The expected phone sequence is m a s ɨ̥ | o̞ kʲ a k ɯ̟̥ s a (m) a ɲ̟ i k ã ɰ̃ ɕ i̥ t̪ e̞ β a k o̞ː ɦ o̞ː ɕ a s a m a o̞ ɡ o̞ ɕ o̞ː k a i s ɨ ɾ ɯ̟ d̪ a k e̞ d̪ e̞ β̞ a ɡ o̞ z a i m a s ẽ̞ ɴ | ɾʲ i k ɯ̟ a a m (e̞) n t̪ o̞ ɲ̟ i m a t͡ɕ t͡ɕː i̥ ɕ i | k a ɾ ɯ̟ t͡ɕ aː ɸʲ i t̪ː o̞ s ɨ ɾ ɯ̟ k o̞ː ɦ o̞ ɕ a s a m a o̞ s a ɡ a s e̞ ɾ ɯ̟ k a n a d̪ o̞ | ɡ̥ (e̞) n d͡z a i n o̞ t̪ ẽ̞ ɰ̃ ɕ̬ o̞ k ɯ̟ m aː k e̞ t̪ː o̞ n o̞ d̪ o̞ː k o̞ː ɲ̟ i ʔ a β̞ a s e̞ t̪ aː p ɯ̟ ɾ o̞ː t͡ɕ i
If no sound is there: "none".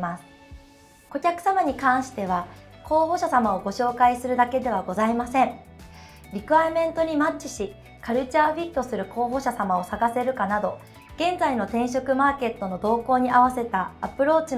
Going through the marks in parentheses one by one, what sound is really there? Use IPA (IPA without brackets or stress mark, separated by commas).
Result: m, ẽ̞, ẽ̞